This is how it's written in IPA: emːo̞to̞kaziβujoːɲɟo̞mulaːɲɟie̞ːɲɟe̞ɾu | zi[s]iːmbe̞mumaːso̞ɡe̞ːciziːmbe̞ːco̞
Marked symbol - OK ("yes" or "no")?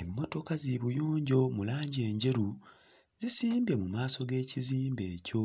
yes